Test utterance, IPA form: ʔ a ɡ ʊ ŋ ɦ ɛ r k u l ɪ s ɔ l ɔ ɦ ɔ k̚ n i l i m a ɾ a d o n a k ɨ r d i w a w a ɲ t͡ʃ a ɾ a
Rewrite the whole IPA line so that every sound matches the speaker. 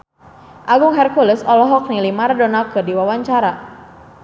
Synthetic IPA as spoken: ʔ a ɡ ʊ ŋ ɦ ɛ r k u l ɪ s ɔ l ɔ ɦ ɔ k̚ n i l i m a ɾ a d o n a k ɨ r d i w a w a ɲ t͡ʃ a ɾ a